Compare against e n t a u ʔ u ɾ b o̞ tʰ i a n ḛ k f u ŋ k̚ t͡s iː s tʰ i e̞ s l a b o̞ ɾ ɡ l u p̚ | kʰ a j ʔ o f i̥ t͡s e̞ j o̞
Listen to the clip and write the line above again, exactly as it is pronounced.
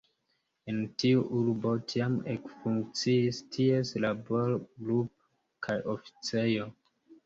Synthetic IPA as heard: e n t i u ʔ u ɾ b o̞ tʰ i a m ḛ k f u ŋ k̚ t͡s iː s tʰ i e̞ s l a b o̞ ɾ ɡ l u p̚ | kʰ a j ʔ o f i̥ t͡s e̞ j o̞

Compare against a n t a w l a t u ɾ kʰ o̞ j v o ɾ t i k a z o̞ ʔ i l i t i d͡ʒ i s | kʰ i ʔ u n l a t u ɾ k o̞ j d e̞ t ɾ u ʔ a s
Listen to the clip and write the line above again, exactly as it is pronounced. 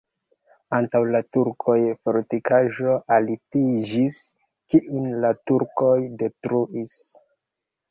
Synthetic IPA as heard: a n t a w l a t u ɾ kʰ o̞ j f o ɾ t i k a ʒ o̞ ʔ a l i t i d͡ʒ i s | k i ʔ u n l a t u ɾ k o̞ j d e̞ t ɾ u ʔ i s

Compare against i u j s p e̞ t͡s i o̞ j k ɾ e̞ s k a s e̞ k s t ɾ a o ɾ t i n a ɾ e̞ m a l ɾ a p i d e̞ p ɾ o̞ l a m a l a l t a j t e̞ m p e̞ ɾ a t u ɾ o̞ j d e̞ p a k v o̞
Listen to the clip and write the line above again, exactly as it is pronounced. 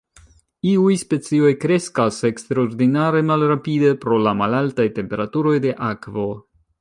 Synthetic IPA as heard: i u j s p e̞ t͡s i o̞ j k ɾ e̞ s k a s e̞ k s t ɾ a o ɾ d i n a ɾ e̞ m a l ɾ a p i d e̞ p ɾ o̞ l a m a l a l t a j t e̞ m p e̞ ɾ a t u ɾ o̞ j d e̞ ʔ a k v o̞

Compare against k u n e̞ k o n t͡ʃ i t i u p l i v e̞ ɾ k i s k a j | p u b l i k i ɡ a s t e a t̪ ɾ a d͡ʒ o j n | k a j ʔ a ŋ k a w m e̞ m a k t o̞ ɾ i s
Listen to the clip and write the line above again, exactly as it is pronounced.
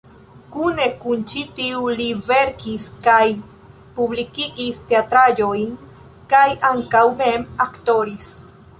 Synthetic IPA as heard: k u n e̞ k u n t͡ʃ i t i u l i v e̞ ɾ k i s k a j | p u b l i k i ɡ i s t e a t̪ ɾ a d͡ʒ o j n | k a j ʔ a ŋ k a w m e̞ m a k t o̞ ɾ i s

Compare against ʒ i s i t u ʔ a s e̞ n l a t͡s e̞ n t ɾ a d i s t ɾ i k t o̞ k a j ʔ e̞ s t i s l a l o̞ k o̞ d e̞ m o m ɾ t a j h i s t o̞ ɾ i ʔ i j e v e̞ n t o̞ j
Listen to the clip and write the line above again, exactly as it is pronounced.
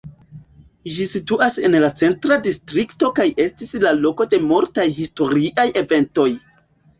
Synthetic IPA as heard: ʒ i s i t u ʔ a s e̞ n l a t͡s e̞ n t ɾ a d i s t ɾ i k t o̞ k a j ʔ e̞ s t i s l a l o̞ k o̞ d e̞ m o ɾ t a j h i s t o̞ ɾ i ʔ a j e v e̞ n t o̞ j

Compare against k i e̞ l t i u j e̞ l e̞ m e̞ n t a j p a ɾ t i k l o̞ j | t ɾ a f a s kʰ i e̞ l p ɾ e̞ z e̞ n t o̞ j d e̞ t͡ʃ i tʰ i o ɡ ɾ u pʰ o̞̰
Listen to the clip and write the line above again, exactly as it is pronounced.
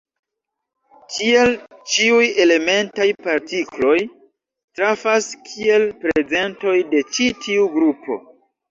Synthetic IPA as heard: k i e̞ l t͡ʃ i u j e̞ l e̞ m e̞ n t a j p a ɾ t i k l o̞ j | t ɾ a f a s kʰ i e̞ l p ɾ e̞ z e̞ n t o̞ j d e̞ t͡ʃ i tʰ i u ɡ ɾ u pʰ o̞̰

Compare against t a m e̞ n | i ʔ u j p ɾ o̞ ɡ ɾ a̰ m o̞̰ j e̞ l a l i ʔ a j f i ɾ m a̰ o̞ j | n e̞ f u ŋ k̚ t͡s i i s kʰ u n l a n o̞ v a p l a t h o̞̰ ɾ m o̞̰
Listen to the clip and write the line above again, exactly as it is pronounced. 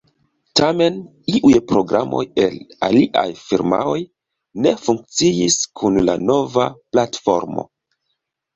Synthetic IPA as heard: t a m e̞ n | i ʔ u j p ɾ o̞ ɡ ɾ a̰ m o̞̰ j e̞ l a l i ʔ a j f i ɾ m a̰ o̞ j | n e̞ f u ŋ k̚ t͡s i i s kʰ u n l a n o̞ v a p l a t f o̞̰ ɾ m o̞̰

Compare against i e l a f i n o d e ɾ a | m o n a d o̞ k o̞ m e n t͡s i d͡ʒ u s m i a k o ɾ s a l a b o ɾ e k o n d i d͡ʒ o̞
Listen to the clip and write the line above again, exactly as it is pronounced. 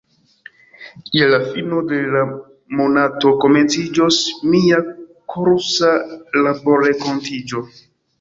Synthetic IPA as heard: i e l a f i n o d e l a | m o n a t o̞ k o̞ m e n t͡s i d͡ʒ o s m i a k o ɾ s a l a b o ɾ e k o n t i d͡ʒ o̞

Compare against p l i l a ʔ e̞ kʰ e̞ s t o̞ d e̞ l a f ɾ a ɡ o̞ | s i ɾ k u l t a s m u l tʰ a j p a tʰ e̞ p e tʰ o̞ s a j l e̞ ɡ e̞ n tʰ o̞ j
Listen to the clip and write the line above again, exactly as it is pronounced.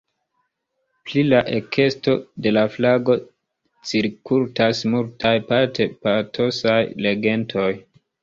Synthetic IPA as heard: p l i l a ʔ e̞ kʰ e̞ s t o̞ d e̞ l a f l a ɡ o̞ | t͡s i ɾ k u l t a s m u l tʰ a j p a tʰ e̞ p a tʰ o̞ s a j l e̞ ɡ e̞ n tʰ o̞ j

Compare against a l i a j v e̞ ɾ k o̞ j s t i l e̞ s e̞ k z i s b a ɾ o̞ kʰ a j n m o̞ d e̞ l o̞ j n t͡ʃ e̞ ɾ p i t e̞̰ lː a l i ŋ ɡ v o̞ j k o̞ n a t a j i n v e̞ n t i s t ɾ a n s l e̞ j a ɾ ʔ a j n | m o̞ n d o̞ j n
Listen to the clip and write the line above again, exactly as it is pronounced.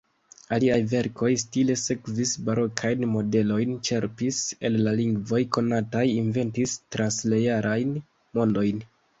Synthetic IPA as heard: a l i a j v e̞ ɾ k o̞ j s t i l e̞ s e̞ k v i s b a ɾ o̞ kʰ a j n m o̞ d e̞ l o̞ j n t͡ʃ e̞ ɾ p i s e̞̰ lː a l i ŋ ɡ v o̞ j k o̞ n a t a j i n v e̞ n t i s t ɾ a n s l e̞ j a ɾ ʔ a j n | m o̞ n d o̞ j n

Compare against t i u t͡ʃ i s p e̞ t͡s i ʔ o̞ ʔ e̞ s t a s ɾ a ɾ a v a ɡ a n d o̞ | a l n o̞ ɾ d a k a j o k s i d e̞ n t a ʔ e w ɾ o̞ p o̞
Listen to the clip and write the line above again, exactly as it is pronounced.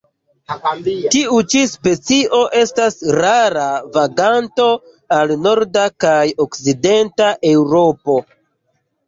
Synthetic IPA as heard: t i u t͡ʃ i s p e̞ t͡s i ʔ o̞ ʔ e̞ s t a s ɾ a ɾ a v a ɡ a n t o̞ | a l n o̞ ɾ d a k a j o k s i d e̞ n t a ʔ e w ɾ o̞ p o̞

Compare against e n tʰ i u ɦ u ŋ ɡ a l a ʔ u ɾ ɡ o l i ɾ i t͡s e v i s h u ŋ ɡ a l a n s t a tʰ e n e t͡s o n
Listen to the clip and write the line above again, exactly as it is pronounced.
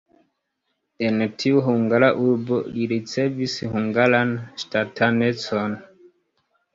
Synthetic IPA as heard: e n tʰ i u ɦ u ŋ ɡ a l a ʔ u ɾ b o l i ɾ i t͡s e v i s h u ŋ ɡ a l a n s t a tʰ a n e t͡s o n

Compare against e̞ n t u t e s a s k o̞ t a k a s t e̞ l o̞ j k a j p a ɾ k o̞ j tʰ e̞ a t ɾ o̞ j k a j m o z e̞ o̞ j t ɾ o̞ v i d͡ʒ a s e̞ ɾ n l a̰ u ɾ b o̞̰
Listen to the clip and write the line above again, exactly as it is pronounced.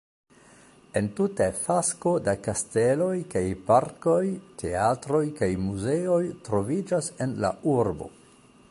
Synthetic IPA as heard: e̞ n t u t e f a s k o̞ d a k a s t e̞ l o̞ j k a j p a ɾ k o̞ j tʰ e̞ a t ɾ o̞ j k a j m u z e̞ o̞ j t ɾ o̞ v i d͡ʒ a s e̞ n l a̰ u ɾ b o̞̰

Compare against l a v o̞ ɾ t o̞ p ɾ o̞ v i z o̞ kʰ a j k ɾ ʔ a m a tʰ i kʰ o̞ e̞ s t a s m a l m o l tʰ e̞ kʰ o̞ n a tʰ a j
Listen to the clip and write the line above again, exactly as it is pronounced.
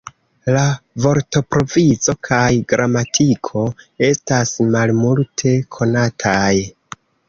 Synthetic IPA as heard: l a v o̞ ɾ t o̞ p ɾ o̞ v i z o̞ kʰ a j ɡ ɾ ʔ a m a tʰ i kʰ o̞ e̞ s t a s m a l m u l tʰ e̞ kʰ o̞ n a tʰ a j

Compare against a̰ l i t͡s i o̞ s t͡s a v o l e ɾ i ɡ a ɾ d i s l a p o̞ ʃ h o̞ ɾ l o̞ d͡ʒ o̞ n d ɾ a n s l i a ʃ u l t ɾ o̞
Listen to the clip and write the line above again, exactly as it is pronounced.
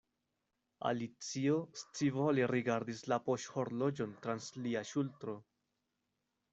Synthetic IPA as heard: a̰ l i t͡s i o̞ s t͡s i v o l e ɾ i ɡ a ɾ d i s l a p o̞ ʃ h o̞ ɾ l o̞ d͡ʒ o̞ n t ɾ a n s l i a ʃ u l t ɾ o̞

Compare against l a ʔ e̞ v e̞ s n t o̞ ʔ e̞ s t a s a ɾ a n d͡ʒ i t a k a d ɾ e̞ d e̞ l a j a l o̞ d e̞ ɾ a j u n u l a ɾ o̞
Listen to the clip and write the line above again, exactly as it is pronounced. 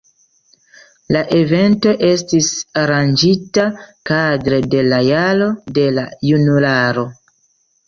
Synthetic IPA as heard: l a ʔ e̞ v e̞ n t o̞ ʔ e̞ s t i s a ɾ a n d͡ʒ i t a k a d ɾ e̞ d e̞ l a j a l o̞ d e̞ l a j u n u l a ɾ o̞

